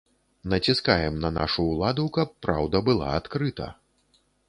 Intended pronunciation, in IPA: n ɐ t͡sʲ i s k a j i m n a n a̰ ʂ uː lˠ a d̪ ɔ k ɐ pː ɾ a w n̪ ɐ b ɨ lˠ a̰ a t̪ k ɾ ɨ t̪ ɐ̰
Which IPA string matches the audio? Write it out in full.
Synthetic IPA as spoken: n ɐ t͡sʲ i s k a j ɛ m n ɐ n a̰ ʂ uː lˠ a d̪ u k ɐ pː ɾ a w d̪ ɐ b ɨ lˠ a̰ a t̪ k ɾ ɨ t̪ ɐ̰